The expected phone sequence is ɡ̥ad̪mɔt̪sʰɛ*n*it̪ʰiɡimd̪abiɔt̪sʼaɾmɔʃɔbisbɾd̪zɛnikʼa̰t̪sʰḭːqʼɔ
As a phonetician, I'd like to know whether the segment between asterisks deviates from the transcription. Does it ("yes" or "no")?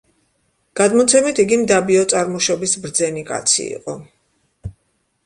yes